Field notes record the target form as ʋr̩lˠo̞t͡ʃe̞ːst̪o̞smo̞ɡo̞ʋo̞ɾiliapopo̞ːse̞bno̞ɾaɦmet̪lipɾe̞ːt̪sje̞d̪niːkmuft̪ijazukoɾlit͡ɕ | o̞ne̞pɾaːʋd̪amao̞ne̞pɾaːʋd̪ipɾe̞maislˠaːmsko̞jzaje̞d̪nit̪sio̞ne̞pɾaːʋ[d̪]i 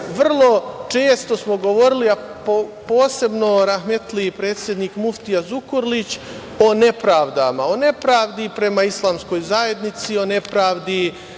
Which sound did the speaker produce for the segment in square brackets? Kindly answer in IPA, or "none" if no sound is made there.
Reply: d̪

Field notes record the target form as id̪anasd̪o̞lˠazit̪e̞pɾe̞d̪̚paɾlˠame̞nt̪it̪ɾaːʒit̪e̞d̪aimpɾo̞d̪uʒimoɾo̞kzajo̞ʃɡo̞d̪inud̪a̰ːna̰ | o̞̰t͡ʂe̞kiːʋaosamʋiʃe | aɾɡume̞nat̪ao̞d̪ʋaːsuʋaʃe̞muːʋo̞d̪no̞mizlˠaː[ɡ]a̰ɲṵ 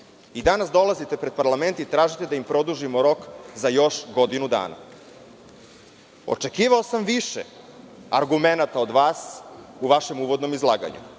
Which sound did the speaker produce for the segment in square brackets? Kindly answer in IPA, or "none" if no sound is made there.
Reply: ɡ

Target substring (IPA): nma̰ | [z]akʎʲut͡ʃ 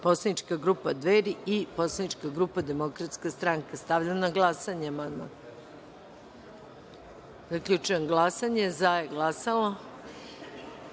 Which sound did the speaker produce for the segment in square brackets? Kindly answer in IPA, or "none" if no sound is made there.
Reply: z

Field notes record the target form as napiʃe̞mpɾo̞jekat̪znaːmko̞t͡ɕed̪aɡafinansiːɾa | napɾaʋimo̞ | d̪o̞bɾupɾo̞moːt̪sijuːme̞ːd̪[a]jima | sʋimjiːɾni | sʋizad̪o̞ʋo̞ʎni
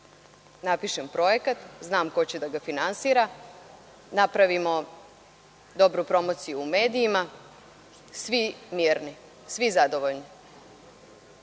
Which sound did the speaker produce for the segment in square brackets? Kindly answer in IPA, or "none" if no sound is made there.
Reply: i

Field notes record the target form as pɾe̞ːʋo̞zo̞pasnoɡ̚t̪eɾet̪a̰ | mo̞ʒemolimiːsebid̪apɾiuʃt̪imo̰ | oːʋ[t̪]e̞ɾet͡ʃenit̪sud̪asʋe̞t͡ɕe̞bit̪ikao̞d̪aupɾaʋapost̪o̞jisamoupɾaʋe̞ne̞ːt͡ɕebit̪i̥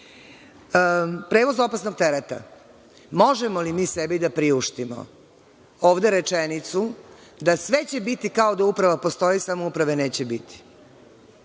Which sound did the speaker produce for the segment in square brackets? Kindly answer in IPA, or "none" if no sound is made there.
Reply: d̪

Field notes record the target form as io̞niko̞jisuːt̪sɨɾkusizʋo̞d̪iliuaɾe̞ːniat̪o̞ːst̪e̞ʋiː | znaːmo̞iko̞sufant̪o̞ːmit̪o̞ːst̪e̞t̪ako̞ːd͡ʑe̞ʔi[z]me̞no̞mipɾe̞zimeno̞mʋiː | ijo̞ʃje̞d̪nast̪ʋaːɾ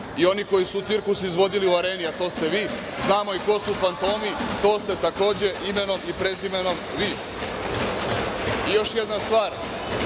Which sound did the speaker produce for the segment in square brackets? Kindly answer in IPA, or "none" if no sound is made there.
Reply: none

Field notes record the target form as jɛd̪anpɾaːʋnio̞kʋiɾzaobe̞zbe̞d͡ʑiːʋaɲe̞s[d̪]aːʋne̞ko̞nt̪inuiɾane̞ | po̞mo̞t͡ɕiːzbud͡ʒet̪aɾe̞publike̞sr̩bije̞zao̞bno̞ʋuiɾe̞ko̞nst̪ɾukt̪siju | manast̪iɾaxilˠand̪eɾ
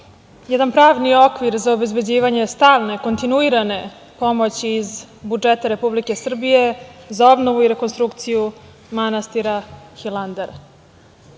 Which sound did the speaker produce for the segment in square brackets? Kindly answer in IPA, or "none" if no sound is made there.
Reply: t̪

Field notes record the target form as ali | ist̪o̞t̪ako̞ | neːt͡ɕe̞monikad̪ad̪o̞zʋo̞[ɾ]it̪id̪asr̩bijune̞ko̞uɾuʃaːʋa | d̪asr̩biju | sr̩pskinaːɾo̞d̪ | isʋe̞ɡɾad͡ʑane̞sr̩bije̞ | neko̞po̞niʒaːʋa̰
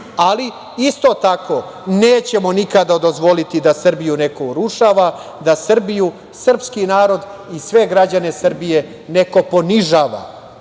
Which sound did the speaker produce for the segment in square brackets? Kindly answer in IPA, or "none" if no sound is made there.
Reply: l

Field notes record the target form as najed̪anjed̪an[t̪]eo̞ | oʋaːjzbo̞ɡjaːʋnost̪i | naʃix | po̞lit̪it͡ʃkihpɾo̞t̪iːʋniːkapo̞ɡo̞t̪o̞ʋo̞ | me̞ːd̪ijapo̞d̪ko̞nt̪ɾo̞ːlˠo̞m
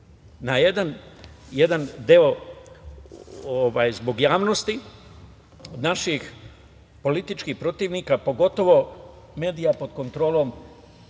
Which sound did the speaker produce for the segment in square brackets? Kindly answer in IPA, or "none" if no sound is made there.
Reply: d̪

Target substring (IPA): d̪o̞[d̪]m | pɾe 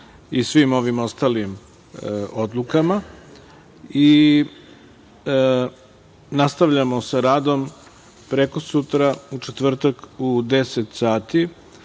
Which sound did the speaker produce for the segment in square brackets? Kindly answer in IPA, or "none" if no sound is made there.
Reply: none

